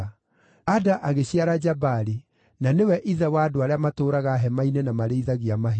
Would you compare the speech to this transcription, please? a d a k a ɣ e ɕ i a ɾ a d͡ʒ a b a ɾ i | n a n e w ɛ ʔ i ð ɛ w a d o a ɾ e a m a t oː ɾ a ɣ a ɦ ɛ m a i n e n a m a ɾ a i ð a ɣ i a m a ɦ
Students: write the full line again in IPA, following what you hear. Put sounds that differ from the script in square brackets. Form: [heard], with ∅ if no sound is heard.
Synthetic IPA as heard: a d a [ʔ] a ɣ e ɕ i a ɾ a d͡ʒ a b a ɾ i | n a n e w ɛ ʔ i ð ɛ w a d o a ɾ e a m a t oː ɾ a ɣ a ɦ ɛ m a i n e n a m a ɾ [e] i ð a ɣ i a m a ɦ